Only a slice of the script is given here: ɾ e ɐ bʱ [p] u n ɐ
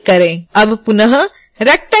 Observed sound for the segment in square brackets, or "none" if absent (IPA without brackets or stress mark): p